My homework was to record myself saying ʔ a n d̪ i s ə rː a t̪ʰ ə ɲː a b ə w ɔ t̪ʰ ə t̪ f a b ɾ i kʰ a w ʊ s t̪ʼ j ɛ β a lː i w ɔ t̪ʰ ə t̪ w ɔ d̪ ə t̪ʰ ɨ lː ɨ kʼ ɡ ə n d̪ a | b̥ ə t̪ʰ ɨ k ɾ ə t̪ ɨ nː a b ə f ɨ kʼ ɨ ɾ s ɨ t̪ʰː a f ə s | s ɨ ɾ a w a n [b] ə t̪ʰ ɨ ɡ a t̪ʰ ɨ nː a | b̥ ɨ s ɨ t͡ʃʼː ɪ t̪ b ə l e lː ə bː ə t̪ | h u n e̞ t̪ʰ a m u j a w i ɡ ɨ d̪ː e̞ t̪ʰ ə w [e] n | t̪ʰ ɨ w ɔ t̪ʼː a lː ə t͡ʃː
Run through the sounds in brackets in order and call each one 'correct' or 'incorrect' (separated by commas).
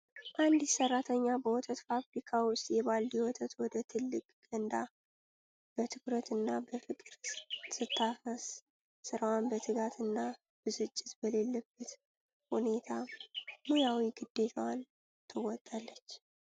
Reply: correct, incorrect